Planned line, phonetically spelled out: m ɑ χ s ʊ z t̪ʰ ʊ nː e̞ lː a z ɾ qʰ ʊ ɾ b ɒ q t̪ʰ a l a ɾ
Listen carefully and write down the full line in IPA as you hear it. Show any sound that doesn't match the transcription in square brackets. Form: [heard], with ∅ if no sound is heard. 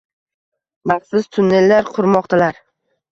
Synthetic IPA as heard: m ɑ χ s ʊ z t̪ʰ ʊ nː e̞ lː a [∅] ɾ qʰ ʊ ɾ [m] ɒ q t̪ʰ a l a ɾ